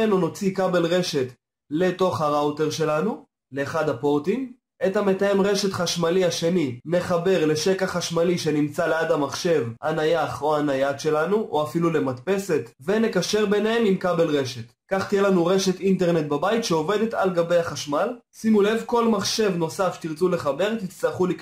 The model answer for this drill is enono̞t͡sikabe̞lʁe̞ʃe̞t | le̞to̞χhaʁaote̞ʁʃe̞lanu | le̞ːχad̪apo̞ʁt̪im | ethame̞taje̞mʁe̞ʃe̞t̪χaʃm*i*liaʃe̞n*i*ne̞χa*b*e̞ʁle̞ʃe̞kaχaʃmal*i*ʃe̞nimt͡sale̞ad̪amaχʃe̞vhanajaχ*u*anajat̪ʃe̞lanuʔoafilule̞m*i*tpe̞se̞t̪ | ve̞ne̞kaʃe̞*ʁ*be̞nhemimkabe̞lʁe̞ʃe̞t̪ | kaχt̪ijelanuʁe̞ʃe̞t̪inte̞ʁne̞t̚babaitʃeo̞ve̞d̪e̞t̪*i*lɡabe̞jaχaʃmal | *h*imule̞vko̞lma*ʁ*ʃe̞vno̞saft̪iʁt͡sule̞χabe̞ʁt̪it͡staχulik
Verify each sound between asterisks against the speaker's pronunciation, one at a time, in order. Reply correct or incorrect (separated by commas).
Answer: incorrect, correct, correct, correct, incorrect, incorrect, correct, incorrect, incorrect, incorrect